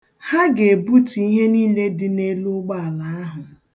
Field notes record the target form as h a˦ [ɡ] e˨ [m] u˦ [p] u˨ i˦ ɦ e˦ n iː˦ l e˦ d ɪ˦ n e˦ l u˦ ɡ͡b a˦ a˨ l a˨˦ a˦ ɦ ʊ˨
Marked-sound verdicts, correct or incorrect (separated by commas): correct, incorrect, incorrect